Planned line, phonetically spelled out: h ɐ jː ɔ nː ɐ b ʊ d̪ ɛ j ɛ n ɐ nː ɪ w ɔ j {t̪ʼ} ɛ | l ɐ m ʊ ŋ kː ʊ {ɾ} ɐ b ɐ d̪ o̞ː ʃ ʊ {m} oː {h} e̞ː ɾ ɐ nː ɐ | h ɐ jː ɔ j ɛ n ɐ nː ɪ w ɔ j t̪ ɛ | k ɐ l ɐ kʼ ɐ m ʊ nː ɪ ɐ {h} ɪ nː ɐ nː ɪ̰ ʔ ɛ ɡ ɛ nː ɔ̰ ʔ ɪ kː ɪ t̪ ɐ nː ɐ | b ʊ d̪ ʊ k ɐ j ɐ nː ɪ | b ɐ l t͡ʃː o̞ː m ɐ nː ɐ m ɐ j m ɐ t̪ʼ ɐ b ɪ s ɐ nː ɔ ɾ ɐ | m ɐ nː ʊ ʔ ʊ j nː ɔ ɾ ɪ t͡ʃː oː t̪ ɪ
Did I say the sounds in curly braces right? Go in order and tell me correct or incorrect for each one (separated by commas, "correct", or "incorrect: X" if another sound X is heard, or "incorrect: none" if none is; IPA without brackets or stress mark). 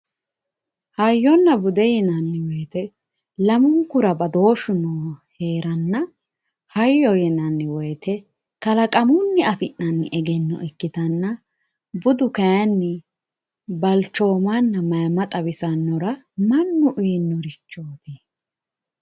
incorrect: t̪, correct, incorrect: n, correct, incorrect: f